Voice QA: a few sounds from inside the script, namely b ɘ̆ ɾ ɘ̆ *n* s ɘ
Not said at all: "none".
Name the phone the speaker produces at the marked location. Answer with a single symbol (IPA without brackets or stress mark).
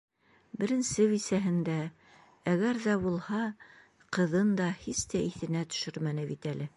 n